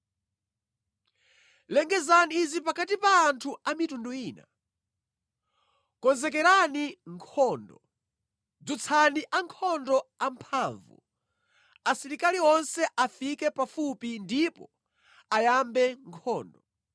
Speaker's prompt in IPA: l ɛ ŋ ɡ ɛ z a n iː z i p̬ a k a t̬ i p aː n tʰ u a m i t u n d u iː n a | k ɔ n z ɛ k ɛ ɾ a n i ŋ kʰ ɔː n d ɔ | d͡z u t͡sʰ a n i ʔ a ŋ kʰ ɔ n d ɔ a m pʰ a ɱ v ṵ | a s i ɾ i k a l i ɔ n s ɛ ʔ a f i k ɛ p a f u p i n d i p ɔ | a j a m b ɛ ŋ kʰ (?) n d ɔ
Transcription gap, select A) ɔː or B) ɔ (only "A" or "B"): A